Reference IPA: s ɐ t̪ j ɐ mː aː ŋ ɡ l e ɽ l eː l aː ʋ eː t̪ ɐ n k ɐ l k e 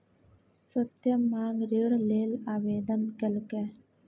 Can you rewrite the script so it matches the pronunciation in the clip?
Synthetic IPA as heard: s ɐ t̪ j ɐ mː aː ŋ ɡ ɾ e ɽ l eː l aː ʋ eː d̪ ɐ n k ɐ l k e